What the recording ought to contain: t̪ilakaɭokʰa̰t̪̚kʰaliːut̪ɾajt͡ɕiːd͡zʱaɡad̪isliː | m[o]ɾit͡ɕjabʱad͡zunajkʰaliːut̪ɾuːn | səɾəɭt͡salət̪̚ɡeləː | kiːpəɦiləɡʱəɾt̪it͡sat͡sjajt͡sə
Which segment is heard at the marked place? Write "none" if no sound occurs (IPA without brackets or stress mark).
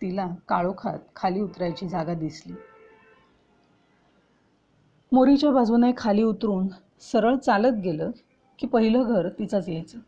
o